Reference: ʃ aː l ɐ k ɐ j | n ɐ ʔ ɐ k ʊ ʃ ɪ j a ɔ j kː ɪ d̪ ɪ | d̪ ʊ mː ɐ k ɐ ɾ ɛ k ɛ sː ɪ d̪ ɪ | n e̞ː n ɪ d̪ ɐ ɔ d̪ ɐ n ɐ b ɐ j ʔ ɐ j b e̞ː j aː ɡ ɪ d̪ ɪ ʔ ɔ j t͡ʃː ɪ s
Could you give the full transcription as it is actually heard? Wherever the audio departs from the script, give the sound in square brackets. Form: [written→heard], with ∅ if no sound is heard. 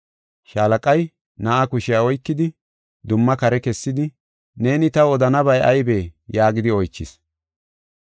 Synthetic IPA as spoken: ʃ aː l ɐ [k→kʼ] ɐ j | n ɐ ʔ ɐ k ʊ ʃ ɪ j a ɔ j kː ɪ d̪ ɪ | d̪ ʊ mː ɐ k ɐ ɾ ɛ k ɛ sː ɪ d̪ ɪ | n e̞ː n ɪ [d̪→t̪] ɐ ɔ d̪ ɐ n ɐ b ɐ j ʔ ɐ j b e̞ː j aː ɡ ɪ d̪ ɪ [ʔ→∅] ɔ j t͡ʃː ɪ s